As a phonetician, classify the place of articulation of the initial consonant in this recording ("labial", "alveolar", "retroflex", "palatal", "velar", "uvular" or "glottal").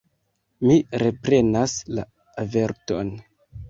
labial